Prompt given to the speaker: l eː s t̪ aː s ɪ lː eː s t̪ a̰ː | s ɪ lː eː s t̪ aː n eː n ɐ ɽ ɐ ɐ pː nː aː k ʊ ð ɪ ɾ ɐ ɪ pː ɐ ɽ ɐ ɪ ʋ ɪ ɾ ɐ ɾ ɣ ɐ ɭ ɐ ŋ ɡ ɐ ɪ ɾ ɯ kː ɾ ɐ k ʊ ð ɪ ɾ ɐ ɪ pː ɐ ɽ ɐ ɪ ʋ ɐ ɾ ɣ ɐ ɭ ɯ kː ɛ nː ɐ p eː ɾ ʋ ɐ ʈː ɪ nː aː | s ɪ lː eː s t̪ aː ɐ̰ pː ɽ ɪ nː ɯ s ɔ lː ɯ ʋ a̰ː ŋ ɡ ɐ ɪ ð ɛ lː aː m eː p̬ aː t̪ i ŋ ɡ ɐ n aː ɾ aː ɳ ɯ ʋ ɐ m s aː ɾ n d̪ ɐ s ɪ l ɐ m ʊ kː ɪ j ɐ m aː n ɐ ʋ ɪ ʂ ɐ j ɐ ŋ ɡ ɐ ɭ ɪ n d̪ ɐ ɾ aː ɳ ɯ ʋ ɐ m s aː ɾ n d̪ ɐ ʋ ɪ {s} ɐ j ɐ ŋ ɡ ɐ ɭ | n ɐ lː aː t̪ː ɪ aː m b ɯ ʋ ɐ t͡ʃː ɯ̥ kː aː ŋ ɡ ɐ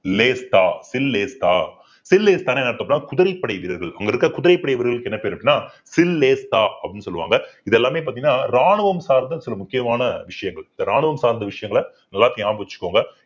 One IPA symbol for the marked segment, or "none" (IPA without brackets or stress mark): ʂ